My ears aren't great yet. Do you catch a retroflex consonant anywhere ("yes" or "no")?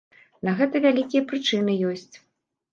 yes